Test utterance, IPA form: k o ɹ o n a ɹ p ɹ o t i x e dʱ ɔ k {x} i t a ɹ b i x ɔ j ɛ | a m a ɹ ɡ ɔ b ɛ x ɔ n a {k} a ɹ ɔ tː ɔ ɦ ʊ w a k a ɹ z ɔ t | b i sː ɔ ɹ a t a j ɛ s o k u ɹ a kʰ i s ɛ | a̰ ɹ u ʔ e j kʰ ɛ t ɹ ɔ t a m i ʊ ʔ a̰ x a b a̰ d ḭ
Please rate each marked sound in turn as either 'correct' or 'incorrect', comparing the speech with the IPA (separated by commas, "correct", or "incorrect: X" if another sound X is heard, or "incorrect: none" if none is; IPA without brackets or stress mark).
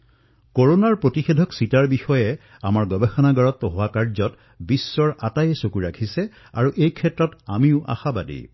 incorrect: s, incorrect: ɡ